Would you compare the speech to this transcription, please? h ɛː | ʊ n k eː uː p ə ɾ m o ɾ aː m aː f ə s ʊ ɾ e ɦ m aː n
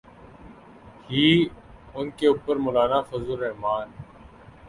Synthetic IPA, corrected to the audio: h iː | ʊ n k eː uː p ə ɾ m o l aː n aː f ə z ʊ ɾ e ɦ m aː n

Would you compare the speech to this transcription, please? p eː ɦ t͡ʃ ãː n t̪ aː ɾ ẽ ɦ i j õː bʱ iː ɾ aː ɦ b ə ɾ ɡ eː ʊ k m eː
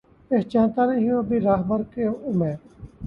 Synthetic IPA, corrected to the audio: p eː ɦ t͡ʃ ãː n t̪ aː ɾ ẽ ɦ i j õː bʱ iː ɾ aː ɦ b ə ɾ k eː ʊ m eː

